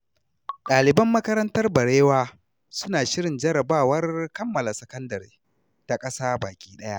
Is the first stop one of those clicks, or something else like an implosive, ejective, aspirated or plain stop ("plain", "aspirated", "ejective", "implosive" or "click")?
implosive